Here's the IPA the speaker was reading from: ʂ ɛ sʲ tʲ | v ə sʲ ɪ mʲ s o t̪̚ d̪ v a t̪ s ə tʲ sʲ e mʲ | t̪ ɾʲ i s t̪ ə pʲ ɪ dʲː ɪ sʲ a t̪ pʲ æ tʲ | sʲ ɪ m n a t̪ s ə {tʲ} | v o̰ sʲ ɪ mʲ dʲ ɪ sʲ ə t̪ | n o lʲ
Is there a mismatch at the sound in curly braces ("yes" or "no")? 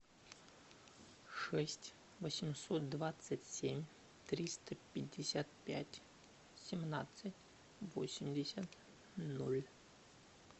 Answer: no